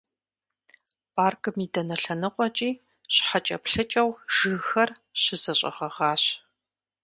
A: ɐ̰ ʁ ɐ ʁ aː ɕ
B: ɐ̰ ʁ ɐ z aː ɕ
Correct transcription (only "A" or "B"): A